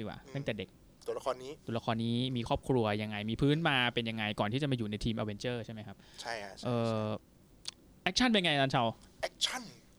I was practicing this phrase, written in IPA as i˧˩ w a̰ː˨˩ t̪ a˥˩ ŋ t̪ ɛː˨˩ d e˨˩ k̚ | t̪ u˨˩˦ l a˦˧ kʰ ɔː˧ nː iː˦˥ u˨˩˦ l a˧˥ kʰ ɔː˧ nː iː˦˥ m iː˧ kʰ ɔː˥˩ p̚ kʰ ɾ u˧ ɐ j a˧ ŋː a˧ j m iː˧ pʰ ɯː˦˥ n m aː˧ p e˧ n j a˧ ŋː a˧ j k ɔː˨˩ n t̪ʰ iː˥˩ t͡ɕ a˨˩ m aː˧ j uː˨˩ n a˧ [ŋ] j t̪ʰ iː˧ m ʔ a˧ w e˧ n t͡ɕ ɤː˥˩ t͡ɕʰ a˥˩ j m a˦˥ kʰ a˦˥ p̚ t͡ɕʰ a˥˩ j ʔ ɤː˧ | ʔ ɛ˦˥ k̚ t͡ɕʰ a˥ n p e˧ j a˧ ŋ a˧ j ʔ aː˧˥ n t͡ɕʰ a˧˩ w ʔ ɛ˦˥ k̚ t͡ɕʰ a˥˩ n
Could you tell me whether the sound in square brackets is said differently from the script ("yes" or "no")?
yes